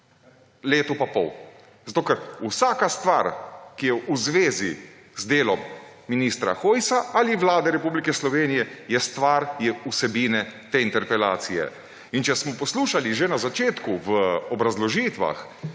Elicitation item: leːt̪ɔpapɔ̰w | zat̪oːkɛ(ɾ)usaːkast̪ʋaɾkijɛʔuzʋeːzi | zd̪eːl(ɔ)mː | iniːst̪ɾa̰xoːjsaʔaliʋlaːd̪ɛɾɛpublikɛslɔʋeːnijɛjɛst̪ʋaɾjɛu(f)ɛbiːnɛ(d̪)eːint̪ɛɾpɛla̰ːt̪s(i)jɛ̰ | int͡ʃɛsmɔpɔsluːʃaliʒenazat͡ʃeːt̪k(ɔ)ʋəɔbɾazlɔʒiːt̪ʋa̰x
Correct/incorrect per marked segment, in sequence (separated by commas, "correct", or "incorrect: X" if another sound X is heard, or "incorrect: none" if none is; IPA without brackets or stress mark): correct, correct, incorrect: s, incorrect: t̪, correct, incorrect: u